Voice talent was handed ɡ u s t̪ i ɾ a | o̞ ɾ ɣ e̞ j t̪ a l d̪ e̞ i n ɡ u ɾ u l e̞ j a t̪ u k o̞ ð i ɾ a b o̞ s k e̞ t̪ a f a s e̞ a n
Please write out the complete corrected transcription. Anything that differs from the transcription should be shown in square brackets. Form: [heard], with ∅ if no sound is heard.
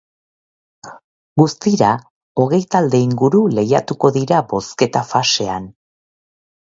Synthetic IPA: ɡ u s t̪ i ɾ a | o̞ [∅] ɣ e̞ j t̪ a l d̪ e̞ i [ŋ] ɡ u ɾ u l e̞ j a t̪ u k o̞ ð i ɾ a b o̞ s k e̞ t̪ a f a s e̞ a n